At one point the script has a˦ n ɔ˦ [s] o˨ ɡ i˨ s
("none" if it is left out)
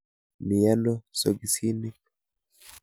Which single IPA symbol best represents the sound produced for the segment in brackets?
s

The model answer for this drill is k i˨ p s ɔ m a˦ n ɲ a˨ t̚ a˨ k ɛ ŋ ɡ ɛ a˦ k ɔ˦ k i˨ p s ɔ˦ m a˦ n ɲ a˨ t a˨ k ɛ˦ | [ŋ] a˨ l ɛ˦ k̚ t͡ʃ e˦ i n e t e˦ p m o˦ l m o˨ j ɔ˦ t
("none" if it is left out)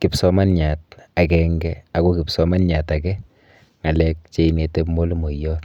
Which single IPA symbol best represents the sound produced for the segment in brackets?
ŋ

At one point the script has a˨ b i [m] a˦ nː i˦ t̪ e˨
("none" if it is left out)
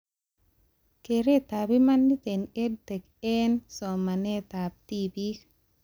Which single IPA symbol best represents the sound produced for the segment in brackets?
m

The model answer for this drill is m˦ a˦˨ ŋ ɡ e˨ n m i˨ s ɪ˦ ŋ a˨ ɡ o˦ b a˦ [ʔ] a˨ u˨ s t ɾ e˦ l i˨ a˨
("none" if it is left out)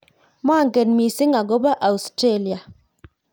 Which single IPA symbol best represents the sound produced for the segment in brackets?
ʔ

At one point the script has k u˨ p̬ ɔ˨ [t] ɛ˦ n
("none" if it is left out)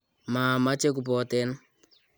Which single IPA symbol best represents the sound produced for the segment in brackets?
t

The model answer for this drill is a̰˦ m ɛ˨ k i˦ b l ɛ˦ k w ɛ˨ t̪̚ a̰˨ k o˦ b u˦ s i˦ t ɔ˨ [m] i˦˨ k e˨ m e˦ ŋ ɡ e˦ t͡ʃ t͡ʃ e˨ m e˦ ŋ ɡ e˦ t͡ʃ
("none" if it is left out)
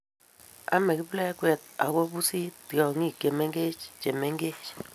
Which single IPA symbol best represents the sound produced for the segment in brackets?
ŋ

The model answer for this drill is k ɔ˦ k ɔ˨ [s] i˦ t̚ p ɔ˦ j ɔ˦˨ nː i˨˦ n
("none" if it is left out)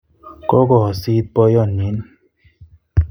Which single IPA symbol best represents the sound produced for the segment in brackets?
s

